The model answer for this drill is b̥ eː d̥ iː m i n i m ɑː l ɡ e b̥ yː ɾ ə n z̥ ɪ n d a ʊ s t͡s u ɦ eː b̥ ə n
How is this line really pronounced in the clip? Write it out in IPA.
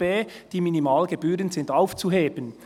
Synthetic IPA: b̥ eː d̥ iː m i n i m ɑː l ɡ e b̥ yː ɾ ə n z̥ ɪ n d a ʊ f t͡s u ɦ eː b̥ ə n